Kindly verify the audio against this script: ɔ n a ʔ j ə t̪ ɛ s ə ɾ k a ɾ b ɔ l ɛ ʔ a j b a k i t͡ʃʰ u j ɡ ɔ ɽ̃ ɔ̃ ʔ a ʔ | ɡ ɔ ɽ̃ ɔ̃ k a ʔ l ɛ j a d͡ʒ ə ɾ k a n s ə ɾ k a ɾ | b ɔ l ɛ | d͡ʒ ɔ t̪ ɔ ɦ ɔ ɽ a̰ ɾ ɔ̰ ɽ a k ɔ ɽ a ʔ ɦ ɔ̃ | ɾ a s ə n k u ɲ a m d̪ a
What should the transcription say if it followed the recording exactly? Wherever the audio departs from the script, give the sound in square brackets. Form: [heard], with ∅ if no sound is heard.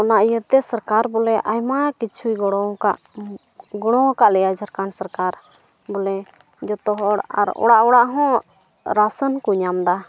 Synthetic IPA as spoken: ɔ n a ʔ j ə t̪ ɛ s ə ɾ k a ɾ b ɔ l ɛ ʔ a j [m] a k i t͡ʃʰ u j ɡ ɔ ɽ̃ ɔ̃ [k] a ʔ | ɡ ɔ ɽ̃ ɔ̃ k a ʔ l ɛ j a d͡ʒ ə ɾ k a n s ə ɾ k a ɾ | b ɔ l ɛ | d͡ʒ ɔ t̪ ɔ ɦ ɔ ɽ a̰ ɾ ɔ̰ ɽ a [ʔ] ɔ ɽ a ʔ ɦ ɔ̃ | ɾ a s ə n k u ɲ a m d̪ a